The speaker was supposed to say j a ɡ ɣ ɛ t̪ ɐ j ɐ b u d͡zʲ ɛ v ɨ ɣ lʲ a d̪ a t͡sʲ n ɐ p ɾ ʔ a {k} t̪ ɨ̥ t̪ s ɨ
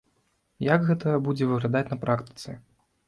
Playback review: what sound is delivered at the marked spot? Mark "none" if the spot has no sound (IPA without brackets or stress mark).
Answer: k